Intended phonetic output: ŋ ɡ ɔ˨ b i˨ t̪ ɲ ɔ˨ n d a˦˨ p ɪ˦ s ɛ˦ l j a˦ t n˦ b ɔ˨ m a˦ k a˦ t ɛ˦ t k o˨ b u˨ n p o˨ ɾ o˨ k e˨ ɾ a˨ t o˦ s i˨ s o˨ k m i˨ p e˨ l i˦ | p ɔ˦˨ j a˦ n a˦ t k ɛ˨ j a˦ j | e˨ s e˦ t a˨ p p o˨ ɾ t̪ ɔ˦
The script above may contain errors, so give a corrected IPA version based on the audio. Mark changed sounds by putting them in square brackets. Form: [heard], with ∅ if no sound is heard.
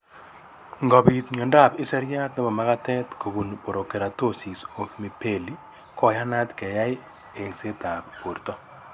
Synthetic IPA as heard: ŋ ɡ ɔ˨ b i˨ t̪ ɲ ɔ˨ n d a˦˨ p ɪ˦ s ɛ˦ [ɾ] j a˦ t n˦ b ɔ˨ m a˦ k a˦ t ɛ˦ t k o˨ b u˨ n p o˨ ɾ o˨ k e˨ ɾ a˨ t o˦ s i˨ s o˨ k m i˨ p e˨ l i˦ | [k] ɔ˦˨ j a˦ n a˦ t k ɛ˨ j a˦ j | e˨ s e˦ t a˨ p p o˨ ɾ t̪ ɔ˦